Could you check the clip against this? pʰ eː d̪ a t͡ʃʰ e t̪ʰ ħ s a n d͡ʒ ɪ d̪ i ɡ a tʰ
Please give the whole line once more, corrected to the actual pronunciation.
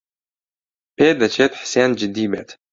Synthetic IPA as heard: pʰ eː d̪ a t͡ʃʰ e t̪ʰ ħ s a n d͡ʒ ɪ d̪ i b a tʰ